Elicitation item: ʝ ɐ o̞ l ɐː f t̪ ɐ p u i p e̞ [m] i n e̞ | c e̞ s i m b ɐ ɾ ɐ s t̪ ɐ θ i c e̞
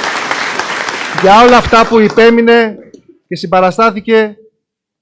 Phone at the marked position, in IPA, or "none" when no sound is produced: m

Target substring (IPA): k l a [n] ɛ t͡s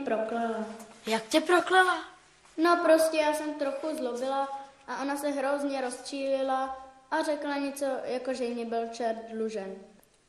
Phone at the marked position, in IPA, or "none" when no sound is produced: ɲ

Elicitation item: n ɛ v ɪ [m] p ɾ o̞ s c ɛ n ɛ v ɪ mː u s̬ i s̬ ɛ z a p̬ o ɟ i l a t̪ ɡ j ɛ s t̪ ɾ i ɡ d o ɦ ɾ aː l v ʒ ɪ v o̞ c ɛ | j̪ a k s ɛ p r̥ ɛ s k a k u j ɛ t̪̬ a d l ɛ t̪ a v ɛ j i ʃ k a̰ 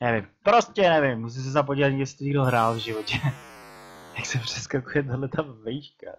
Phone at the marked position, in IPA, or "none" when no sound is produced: m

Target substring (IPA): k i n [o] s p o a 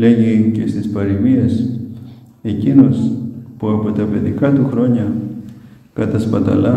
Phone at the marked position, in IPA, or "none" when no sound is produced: o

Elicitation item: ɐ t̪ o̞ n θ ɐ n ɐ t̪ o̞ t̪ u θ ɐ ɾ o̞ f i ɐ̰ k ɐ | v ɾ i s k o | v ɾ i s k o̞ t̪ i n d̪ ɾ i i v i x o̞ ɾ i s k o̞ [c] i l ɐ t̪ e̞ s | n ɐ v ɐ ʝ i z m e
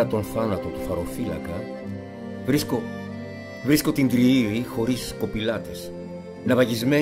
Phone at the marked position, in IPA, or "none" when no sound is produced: p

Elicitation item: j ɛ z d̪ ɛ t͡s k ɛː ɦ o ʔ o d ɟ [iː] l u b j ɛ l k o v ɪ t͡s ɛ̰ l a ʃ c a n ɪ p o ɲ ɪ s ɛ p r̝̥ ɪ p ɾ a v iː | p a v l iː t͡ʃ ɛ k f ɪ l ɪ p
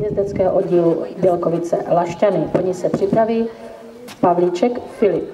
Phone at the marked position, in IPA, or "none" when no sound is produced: iː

